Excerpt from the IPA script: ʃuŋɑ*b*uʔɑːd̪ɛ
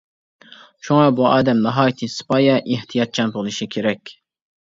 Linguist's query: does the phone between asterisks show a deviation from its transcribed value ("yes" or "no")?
no